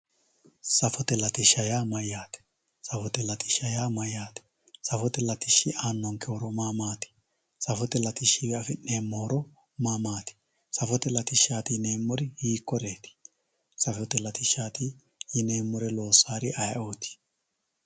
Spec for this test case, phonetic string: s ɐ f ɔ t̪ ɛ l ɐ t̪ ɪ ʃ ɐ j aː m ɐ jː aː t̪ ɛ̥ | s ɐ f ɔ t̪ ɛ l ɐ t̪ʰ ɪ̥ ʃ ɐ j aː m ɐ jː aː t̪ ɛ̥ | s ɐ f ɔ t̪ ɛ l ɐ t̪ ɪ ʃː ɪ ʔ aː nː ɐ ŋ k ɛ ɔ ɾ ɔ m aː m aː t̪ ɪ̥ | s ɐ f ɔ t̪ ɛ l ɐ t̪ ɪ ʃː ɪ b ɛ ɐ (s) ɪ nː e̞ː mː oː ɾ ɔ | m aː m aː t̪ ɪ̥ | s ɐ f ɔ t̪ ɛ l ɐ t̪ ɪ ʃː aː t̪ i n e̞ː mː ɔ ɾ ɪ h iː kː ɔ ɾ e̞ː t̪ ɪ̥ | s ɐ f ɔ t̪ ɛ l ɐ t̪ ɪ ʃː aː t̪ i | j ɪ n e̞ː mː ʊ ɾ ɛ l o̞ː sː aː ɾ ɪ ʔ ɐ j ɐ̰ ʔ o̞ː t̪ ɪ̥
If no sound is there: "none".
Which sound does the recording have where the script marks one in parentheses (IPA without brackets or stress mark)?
f